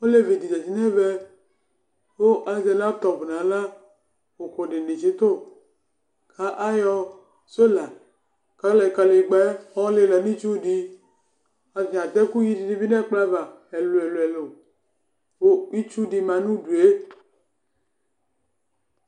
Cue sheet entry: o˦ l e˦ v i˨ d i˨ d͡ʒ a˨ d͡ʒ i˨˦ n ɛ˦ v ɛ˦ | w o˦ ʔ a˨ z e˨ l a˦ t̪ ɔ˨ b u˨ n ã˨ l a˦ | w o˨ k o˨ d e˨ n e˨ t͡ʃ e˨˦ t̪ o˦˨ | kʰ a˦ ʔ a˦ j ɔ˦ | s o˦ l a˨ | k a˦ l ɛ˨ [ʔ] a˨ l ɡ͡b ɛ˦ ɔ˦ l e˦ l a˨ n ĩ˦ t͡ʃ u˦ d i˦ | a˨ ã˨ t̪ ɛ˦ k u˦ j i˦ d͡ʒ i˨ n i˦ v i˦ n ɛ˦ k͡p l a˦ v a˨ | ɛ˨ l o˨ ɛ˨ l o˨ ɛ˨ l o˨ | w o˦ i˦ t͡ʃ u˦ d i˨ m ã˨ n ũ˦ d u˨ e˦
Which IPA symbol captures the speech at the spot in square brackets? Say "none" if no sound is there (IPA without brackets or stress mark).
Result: k